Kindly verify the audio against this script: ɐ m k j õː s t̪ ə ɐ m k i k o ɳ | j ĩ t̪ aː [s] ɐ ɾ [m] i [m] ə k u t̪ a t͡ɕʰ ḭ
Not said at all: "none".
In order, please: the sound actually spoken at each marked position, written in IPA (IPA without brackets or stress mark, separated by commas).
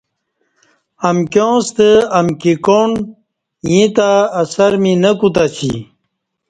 s, m, n